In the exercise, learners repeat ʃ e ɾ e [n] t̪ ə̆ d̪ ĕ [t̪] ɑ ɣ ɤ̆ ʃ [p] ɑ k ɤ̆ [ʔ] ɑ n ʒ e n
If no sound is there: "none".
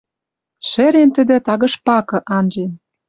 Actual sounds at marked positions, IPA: n, t̪, p, ʔ

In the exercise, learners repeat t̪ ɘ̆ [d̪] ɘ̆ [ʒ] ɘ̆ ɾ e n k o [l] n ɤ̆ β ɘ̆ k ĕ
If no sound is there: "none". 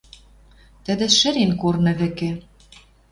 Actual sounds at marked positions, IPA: d̪, ʃ, r

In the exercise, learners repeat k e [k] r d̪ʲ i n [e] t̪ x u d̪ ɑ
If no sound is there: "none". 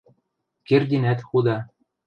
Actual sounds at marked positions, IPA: none, æ

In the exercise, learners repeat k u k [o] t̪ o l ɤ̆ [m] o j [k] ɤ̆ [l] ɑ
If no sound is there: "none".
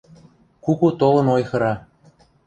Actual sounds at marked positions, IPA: u, n, x, ɾ

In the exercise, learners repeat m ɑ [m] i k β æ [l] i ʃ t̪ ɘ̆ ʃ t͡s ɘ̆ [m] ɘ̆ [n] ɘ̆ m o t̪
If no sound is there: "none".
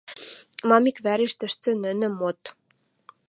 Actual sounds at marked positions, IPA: m, ɾ, n, n

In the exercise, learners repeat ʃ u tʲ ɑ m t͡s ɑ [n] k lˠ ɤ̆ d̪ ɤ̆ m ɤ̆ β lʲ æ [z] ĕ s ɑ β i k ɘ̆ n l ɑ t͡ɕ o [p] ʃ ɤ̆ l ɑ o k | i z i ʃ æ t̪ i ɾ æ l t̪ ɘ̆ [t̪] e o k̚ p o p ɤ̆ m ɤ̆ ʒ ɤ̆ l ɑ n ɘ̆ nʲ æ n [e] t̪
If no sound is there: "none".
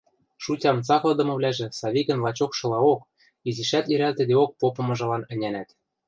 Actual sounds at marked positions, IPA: none, ʒ, k, d̪, æ

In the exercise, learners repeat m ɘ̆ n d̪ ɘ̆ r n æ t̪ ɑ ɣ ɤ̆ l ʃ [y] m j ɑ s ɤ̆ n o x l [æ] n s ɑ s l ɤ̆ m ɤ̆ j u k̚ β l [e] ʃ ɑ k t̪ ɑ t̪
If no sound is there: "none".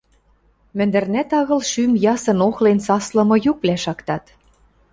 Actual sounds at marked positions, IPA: y, e, æ

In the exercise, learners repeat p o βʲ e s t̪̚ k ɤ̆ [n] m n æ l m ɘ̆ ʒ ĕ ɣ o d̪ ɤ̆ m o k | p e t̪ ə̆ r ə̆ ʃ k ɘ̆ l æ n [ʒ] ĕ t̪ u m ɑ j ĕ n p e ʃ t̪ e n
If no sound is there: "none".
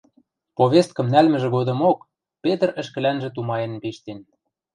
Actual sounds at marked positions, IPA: none, ʒ

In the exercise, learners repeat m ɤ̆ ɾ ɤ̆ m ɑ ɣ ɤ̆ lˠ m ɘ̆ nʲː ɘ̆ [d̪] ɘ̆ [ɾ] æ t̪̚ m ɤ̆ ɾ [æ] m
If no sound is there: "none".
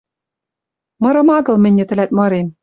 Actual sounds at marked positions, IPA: t̪, l, e

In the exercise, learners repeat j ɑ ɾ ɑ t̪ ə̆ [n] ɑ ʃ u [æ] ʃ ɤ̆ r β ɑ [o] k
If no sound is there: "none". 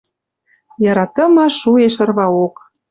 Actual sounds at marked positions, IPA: m, e, o

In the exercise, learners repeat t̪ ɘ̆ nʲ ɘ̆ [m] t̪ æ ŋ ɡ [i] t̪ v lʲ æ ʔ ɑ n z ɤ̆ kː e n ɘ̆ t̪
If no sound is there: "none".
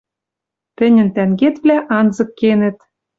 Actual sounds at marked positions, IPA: n, e

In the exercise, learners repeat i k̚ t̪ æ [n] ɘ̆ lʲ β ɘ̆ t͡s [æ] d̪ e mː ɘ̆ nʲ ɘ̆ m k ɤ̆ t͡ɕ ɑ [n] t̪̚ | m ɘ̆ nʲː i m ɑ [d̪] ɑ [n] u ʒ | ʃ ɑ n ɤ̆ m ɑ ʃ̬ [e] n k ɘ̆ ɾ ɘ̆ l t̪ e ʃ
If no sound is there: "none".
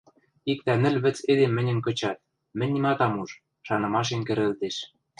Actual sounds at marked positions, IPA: n, e, none, t̪, m, e

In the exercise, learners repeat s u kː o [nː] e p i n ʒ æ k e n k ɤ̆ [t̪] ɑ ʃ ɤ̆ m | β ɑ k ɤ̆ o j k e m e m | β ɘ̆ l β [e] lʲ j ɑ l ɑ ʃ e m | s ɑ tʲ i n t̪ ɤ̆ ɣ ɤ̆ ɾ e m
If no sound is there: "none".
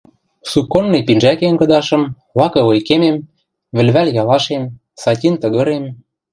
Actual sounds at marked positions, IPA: nː, d̪, æ

